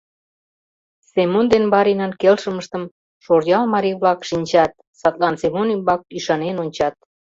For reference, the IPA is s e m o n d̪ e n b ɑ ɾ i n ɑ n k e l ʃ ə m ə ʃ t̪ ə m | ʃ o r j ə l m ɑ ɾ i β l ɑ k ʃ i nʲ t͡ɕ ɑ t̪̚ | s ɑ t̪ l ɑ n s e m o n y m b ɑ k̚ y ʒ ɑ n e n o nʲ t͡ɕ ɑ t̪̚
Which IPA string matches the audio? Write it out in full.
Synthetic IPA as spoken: s e m o n d̪ e n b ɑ ɾ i n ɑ n k e l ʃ ə m ə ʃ t̪ ə m | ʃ o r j ɑ l m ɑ ɾ i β l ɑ k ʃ i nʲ t͡ɕ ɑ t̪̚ | s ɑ t̪ l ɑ n s e m o n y m b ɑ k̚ y ʃ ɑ n e n o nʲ t͡ɕ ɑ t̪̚